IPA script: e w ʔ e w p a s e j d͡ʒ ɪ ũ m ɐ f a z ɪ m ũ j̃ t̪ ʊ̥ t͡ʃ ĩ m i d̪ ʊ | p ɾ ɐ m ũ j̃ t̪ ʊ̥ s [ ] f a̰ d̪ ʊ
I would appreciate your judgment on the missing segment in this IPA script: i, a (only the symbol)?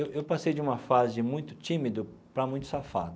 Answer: a